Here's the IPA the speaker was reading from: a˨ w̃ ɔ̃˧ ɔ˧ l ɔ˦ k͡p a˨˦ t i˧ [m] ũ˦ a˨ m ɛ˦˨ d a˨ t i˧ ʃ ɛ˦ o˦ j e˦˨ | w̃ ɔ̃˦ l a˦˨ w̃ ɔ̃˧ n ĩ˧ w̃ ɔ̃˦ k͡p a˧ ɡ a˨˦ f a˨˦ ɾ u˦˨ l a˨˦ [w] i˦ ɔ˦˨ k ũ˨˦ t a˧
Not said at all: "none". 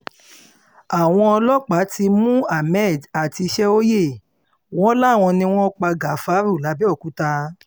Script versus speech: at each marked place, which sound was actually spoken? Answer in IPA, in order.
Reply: m, b

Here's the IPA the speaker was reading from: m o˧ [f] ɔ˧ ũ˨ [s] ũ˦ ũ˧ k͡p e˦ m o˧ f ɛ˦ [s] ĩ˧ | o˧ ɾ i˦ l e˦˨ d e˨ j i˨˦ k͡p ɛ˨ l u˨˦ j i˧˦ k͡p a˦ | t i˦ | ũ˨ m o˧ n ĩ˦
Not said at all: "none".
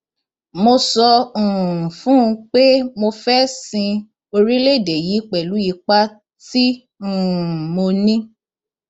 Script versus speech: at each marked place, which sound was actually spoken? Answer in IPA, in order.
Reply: s, f, s

